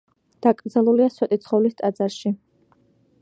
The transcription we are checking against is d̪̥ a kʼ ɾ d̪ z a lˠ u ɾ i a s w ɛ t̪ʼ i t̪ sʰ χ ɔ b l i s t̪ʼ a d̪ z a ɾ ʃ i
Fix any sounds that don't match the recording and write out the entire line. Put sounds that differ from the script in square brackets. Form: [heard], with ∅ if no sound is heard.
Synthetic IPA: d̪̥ a kʼ ɾ d̪ z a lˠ u [l] i a s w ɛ t̪ʼ i t̪ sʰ χ ɔ [v] l i s t̪ʼ a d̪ z a ɾ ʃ i